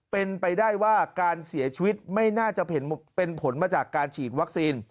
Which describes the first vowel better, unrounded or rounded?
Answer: unrounded